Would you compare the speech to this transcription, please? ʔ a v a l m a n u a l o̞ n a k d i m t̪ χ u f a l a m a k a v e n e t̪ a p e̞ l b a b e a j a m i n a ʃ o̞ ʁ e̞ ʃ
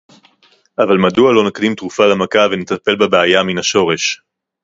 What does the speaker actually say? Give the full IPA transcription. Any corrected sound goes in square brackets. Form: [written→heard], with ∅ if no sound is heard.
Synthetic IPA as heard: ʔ a v a l m a [n→d] u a l o̞ n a k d i m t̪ [χ→ʁ] u f a l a m a k a v e n e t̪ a p e̞ l b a b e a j a m i n a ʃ o̞ ʁ e̞ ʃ